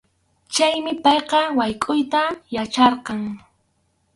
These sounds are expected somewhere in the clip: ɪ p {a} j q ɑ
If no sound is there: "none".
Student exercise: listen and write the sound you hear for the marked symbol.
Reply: ɑ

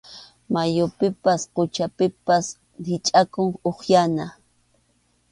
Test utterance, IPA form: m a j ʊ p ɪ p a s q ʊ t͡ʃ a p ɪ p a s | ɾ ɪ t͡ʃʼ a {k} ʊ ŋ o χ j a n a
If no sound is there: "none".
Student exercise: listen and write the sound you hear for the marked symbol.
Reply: k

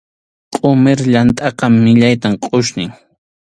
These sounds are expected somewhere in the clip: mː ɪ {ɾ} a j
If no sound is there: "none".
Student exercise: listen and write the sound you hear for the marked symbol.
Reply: ʎ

